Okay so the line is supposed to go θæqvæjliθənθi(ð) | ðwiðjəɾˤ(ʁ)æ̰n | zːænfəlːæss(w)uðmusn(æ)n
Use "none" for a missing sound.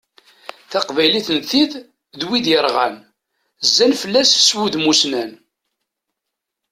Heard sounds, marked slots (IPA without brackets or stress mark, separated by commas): ð, ʁ, w, æ